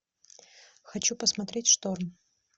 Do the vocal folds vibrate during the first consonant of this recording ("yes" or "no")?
no